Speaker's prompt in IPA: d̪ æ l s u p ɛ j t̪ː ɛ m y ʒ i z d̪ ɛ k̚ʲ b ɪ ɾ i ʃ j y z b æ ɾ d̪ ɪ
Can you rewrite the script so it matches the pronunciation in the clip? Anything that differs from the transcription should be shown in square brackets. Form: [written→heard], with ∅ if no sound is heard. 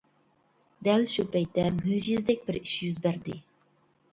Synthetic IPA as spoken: d̪ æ l [s→ʃ] u p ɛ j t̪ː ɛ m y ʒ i z d̪ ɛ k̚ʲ b ɪ ɾ i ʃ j y z b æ ɾ d̪ ɪ